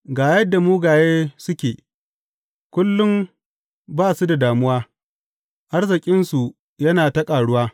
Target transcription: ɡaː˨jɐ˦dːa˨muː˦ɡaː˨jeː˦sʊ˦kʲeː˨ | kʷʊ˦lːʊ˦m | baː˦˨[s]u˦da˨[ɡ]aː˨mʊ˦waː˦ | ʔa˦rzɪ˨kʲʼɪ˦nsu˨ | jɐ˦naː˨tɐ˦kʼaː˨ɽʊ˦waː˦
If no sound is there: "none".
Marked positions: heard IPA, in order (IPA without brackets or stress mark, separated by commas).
s, d